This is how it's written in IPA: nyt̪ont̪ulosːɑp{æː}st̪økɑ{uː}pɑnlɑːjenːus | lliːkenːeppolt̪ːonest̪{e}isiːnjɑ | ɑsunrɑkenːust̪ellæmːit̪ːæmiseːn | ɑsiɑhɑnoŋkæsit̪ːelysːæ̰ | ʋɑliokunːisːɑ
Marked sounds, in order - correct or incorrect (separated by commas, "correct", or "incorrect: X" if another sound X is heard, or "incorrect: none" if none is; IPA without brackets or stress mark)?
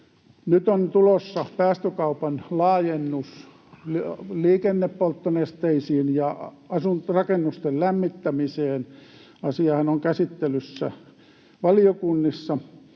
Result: correct, incorrect: u, correct